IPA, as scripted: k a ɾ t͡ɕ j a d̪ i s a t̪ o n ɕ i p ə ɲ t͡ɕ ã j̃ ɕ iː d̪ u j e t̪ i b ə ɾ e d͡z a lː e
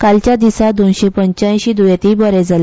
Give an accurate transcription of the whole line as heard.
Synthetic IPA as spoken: k a l t͡ɕ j a d̪ i s a d̪ o n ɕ e p ə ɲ t͡ɕ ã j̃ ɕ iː d̪ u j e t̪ i b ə ɾ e d͡z a l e